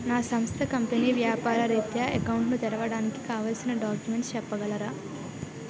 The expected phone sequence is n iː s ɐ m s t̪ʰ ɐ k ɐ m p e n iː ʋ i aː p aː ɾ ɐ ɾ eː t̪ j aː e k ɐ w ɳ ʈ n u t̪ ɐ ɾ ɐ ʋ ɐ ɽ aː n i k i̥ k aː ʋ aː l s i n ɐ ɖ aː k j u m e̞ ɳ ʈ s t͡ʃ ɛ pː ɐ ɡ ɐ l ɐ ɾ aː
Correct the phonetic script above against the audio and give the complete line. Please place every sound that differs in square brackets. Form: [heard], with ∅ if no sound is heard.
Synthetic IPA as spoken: n [aː] s ɐ m s t̪ʰ ɐ k ɐ m p e n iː ʋ [j] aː p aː ɾ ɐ ɾ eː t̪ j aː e k ɐ w ɳ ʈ n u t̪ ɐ ɾ ɐ ʋ ɐ ɽ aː n i k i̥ k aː ʋ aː l s i n ɐ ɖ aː k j u m e̞ ɳ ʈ s t͡ʃ ɛ pː ɐ ɡ ɐ l ɐ ɾ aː